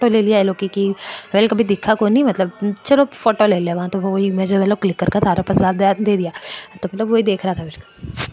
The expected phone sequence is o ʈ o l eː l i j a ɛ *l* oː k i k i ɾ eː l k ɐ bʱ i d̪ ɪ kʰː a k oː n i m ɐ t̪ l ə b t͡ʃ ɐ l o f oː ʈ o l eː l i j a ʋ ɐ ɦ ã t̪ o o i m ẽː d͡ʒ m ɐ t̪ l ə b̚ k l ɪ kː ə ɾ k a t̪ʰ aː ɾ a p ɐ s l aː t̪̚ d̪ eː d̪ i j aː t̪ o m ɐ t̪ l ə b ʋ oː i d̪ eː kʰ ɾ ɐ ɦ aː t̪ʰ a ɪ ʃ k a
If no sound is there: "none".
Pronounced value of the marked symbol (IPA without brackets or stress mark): l